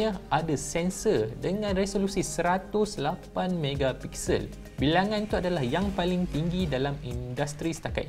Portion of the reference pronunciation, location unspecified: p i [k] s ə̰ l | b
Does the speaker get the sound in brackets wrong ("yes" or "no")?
no